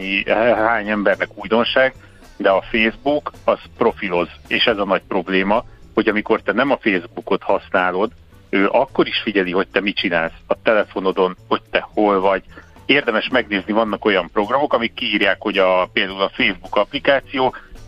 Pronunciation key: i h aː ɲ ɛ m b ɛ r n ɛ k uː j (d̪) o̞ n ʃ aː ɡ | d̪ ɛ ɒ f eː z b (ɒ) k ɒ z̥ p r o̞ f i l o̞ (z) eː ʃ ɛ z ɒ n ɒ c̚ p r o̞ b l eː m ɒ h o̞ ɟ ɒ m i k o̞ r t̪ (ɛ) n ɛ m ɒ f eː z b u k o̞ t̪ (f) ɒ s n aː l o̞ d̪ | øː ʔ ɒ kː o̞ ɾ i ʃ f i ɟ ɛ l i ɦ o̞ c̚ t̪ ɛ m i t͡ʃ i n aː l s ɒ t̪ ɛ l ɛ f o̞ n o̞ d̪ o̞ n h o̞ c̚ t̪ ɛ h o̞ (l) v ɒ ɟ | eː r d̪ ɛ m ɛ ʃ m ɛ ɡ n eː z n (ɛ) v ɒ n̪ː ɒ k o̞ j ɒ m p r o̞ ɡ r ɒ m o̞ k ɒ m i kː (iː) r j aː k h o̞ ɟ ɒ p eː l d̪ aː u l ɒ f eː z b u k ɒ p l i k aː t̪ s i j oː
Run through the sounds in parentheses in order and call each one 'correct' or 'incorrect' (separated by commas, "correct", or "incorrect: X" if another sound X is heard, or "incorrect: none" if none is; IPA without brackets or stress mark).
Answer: correct, incorrect: u, correct, correct, incorrect: h, correct, incorrect: i, correct